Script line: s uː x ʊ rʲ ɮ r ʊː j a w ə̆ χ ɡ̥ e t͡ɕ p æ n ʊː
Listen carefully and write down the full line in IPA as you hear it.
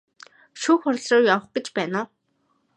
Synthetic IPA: ʃ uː x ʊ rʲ ɮ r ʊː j a w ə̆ χ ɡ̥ e t͡ɕ p æː n ʊː

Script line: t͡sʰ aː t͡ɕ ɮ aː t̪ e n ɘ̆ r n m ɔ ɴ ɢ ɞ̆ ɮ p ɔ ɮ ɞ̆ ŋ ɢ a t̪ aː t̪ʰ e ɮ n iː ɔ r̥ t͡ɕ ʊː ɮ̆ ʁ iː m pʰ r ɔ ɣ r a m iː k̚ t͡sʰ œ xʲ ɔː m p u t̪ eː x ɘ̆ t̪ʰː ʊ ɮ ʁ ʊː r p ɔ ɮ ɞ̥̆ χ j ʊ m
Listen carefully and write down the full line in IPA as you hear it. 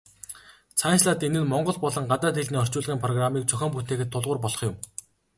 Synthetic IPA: t͡sʰ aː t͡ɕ ɮ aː t̪ e n ɘ̆ n m ɔ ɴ ɢ ɞ̆ ɮ p ɔ ɮ ɞ̆ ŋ ɢ a t̪ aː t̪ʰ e ɮ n iː ɔ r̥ t͡ɕ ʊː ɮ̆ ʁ iː m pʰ r ɔ ɣ r a m iː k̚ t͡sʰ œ xʲ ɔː m p u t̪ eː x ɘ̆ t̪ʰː ʊ ɮ ʁ ʊː r p ɔ ɮ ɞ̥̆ χ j ʊ m

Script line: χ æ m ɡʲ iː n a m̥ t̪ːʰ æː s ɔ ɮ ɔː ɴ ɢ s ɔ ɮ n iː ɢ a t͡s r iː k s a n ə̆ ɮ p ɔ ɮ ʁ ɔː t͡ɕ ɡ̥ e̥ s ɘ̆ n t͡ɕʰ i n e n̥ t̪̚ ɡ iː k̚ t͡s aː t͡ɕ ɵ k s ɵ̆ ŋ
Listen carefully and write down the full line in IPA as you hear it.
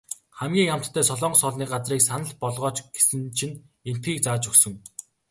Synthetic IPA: χ æ m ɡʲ iː ŋ a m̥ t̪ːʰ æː s ɔ ɮ ɔː ɴ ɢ s ɔ ɮ n iː ɢ a t͡s r iː k s a n ə̆ ɮ p ɔ ɮ ʁ ɔː t͡ɕ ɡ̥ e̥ s ɘ̆ n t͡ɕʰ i n e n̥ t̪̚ ɡ iː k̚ t͡s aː t͡ɕ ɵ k s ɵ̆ ŋ

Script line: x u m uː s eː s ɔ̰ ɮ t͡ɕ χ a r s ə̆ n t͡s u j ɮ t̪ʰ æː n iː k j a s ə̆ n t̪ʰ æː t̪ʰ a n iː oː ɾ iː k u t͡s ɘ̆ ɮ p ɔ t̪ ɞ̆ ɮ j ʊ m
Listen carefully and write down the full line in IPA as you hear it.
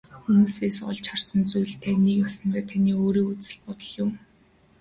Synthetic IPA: x u m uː s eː s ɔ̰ ɮ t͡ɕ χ a r s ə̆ n t͡s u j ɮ t̪ʰ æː n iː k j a s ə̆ n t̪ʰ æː t̪ʰ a n iː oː ɾ iː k u t͡s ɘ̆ ɮ p ɔ t̪ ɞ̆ ɮ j ʊ m

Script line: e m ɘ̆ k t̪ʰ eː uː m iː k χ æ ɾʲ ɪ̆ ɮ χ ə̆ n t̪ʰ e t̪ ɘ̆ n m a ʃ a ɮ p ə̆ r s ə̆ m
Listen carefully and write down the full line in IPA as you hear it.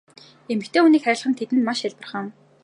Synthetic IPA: e m ɘ̆ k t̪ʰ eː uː n iː k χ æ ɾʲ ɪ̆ ɮ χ ə̆ n t̪ʰ e t̪ ɘ̆ n m a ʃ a ɮ p ə̆ r χ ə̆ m

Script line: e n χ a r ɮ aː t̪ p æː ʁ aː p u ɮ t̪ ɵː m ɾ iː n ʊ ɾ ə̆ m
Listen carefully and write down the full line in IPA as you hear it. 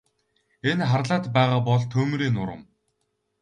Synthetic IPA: e n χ a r ɮ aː t̪ p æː ʁ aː p ɔ ɮ t̪ʰ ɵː m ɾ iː n ʊ ɾ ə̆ m

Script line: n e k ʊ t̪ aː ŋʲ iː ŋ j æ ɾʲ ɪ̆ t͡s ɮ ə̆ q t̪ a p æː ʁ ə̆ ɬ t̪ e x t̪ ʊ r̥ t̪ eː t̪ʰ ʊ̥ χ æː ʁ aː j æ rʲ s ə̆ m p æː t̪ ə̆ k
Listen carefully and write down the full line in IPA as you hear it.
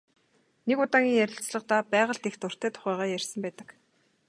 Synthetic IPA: n e k ʊ t̪ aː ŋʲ iː ŋ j æ ɾʲ ɪ̆ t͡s ɮ ə̆ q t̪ a p æː ʁ ə̆ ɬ t̪ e x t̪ ʊ r̥ t̪ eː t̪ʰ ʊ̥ χ æː ʁ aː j æ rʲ s ə̆ m p æː t̪ ə̆ k

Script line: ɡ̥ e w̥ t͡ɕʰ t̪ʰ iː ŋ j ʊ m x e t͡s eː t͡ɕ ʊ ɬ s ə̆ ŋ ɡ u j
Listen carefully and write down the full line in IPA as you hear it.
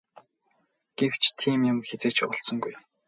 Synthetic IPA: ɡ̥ e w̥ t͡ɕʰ t̪ʰ iː m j ʊ m x e t͡s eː t͡ɕ ʊ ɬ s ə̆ ŋ ɡ u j

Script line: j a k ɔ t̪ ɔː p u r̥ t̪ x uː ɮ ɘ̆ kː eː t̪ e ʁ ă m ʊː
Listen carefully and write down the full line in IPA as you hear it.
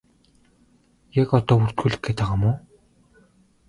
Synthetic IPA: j a k ɔ t̪ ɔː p u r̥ t̪ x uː ɮ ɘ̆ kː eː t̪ a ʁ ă m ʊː

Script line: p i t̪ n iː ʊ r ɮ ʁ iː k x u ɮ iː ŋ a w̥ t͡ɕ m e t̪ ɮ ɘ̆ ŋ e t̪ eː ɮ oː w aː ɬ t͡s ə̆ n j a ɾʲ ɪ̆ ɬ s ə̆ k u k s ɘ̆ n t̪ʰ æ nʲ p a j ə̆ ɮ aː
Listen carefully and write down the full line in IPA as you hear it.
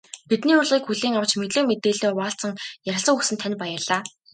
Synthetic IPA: p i t̪ n iː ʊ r ɮ ʁ iː k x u ɮ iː ŋ a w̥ t͡ɕ m e t̪ ɮ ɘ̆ m e t̪ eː ɮ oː w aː ɬ t͡s ə̆ ŋ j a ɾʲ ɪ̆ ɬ s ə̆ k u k s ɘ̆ n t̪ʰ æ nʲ p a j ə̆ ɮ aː

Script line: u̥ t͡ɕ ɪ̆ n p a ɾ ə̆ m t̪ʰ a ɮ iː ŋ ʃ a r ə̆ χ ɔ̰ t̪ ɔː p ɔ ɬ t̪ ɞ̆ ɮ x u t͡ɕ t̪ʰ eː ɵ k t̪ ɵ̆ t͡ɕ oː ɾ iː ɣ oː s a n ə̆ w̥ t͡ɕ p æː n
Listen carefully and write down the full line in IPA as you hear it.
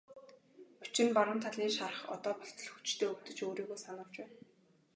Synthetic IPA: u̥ t͡ɕ ɪ̆ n p a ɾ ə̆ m t̪ʰ a ɮ iː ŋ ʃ a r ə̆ χ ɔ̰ t̪ ɔː p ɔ ɬ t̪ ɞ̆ ɮ x u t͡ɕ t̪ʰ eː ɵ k t̪ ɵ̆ t͡ɕ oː ɾ iː ɣ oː s a n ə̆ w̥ t͡ɕ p æː n

